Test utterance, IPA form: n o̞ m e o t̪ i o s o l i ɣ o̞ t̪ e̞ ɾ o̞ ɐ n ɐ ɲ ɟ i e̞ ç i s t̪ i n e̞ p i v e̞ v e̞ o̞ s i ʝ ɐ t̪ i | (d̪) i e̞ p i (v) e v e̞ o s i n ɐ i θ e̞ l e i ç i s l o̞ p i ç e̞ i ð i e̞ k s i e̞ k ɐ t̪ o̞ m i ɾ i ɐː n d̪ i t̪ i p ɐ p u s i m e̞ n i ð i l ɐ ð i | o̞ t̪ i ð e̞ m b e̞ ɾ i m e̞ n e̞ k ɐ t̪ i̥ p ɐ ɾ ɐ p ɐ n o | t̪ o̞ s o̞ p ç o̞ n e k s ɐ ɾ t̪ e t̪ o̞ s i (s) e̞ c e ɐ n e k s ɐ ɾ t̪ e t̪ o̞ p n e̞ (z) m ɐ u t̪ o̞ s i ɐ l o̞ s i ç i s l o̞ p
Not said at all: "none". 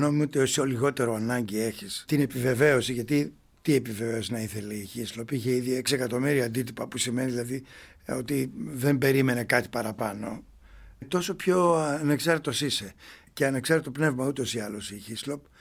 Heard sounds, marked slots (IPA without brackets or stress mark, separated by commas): t̪, v, s, v